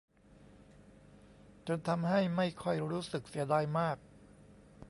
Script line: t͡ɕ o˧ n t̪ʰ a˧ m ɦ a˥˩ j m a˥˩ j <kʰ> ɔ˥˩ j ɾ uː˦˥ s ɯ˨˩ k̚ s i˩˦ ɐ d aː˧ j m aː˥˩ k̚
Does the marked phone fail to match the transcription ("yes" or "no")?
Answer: no